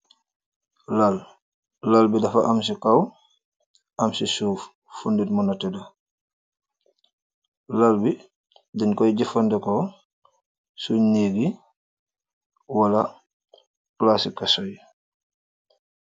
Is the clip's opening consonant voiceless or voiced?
voiced